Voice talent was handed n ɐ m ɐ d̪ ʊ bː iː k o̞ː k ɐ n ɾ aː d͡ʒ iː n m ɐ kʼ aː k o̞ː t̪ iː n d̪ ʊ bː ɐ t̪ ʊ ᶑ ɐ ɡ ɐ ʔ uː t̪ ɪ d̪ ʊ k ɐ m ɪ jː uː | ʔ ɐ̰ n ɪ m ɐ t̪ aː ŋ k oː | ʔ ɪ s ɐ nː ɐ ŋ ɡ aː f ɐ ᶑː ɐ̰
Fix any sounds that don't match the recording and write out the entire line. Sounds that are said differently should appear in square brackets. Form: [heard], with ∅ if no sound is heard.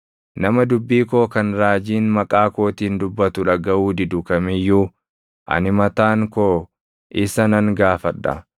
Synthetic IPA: n ɐ m ɐ d̪ ʊ bː iː k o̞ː k ɐ n ɾ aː d͡ʒ iː n m ɐ kʼ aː k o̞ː t̪ iː n d̪ ʊ bː ɐ t̪ ʊ ᶑ ɐ ɡ ɐ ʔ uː [d̪] ɪ d̪ ʊ k ɐ m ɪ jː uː | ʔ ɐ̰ n ɪ m ɐ t̪ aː ŋ k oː | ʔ ɪ s ɐ [n] ɐ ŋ ɡ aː f ɐ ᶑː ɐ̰